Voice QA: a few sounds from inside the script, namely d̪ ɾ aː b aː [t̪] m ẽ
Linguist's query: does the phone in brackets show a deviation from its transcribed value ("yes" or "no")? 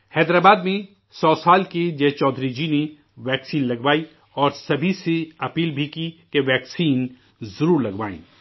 yes